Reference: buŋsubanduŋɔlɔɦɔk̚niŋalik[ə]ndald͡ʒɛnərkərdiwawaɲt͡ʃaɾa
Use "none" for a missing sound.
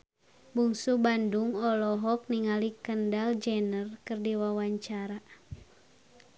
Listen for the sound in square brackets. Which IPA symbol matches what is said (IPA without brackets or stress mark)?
ə